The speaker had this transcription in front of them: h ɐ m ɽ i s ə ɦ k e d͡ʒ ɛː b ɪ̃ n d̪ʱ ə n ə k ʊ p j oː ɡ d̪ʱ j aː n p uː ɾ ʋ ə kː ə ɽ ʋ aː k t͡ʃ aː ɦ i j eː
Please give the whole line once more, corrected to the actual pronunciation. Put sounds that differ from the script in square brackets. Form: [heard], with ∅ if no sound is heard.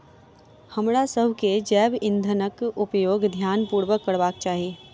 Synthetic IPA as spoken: h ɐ m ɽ [a] s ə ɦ k e d͡ʒ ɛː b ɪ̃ n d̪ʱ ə n ə k ʊ p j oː ɡ d̪ʱ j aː n p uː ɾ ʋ ə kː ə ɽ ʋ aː k t͡ʃ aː ɦ i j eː